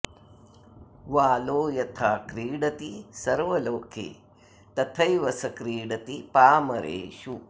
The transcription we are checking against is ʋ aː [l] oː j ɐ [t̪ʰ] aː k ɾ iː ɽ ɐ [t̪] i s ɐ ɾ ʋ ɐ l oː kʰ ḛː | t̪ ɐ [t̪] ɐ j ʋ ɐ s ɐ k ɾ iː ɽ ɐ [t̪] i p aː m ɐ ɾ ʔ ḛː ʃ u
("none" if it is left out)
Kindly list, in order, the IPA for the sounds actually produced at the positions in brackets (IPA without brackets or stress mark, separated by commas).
l, t̪ʰ, t̪, t̪ʰ, t̪